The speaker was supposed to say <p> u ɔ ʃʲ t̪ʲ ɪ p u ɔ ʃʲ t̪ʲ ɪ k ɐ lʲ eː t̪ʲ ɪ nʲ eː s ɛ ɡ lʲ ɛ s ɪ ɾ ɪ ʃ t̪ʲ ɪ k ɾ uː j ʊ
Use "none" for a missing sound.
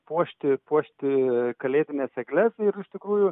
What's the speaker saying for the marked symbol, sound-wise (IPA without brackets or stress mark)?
p